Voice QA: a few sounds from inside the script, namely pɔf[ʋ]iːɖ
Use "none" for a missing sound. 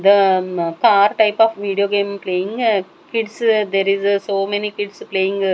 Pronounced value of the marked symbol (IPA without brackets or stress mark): ʋ